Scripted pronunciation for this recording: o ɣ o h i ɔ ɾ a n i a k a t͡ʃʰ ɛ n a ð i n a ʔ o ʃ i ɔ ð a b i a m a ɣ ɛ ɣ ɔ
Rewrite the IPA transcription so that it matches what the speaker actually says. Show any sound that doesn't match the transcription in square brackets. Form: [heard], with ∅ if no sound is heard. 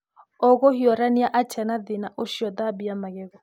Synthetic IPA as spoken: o ɣ o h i ɔ ɾ a n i a [ʔ] a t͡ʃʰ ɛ n a ð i n a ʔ o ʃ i ɔ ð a b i a m a ɣ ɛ ɣ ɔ